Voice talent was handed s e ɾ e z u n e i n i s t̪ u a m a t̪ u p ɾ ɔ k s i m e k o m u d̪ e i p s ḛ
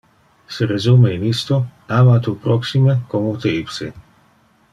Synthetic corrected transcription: s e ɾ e z u m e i n i s t̪ o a m a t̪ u p ɾ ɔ k s i m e k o m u t̪ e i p s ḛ